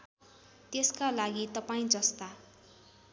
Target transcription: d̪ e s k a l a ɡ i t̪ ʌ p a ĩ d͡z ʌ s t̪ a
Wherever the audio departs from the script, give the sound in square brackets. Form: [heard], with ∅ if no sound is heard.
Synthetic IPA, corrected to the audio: [t̪] e s k a l a ɡ i t̪ ʌ p a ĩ d͡z ʌ s t̪ a